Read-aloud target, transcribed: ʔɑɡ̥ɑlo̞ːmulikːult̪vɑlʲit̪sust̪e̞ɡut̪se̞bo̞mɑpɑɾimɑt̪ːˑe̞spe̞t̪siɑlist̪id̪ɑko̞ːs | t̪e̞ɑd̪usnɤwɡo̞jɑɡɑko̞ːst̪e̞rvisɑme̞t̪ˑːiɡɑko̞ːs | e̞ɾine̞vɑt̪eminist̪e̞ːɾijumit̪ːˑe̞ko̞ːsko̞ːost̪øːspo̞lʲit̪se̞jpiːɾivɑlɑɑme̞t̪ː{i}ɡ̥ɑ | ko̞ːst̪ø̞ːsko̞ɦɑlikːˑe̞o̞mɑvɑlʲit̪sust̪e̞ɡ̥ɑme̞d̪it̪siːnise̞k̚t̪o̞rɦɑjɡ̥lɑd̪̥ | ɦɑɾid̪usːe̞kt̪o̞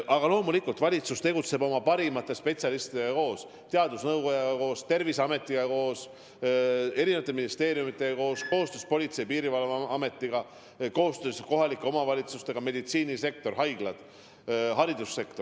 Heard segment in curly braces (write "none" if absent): i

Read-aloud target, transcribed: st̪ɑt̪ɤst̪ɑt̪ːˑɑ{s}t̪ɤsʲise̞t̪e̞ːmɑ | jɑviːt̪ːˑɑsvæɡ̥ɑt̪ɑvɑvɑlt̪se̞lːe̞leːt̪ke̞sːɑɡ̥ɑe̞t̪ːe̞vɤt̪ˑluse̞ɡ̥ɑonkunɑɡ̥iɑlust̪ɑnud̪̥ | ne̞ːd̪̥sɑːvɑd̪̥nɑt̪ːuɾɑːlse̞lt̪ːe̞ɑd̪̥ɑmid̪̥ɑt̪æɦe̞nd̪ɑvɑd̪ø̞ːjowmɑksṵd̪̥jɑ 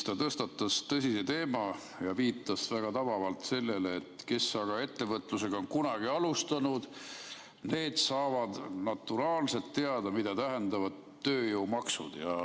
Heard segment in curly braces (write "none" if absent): s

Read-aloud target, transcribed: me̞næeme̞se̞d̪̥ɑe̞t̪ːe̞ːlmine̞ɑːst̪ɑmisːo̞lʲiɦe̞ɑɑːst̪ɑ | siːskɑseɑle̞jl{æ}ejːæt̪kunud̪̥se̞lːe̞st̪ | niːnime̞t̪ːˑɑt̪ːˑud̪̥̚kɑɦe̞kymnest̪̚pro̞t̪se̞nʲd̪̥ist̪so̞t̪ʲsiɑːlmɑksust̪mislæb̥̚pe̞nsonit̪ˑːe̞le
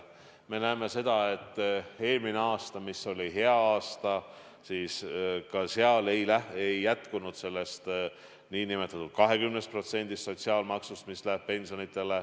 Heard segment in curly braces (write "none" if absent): æ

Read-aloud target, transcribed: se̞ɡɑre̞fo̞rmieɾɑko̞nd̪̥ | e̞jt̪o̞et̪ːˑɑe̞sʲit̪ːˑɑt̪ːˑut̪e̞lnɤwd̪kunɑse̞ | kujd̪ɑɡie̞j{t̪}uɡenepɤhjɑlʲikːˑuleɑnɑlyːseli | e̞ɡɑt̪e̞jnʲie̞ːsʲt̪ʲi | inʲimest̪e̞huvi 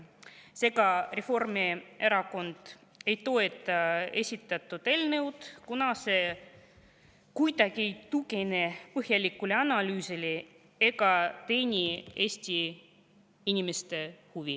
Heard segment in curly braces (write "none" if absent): t̪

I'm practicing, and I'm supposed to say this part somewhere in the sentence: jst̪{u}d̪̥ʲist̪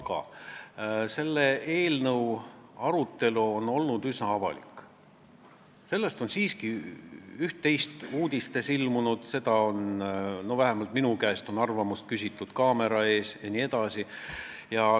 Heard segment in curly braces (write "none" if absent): uː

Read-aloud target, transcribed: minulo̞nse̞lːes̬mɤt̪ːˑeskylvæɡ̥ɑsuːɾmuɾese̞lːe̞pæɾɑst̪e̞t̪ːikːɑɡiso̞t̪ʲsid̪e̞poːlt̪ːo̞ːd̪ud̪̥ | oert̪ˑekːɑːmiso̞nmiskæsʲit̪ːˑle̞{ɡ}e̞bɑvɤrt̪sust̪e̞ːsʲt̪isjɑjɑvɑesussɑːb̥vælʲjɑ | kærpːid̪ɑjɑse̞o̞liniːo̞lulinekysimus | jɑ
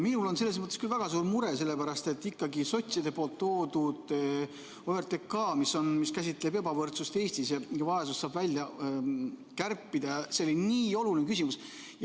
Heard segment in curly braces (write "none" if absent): b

